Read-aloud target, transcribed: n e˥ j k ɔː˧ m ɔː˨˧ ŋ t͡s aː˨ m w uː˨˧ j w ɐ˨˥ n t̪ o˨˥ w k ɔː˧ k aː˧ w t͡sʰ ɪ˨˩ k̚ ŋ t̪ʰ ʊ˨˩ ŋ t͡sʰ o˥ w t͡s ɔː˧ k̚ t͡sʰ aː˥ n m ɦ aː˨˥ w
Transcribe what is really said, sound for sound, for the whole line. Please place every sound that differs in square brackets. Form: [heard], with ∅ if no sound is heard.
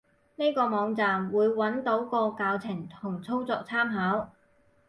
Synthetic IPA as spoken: n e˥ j k ɔː˧ m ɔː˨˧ ŋ t͡s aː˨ m w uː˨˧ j w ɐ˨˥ n t̪ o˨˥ w k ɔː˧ k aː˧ w t͡sʰ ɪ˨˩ [∅] ŋ t̪ʰ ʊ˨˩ ŋ t͡sʰ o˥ w t͡s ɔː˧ k̚ t͡sʰ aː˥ [∅] m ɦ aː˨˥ w